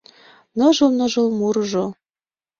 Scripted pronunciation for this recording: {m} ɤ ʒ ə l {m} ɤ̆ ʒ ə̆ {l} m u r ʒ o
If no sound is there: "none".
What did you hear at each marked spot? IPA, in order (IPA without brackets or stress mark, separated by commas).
n, n, l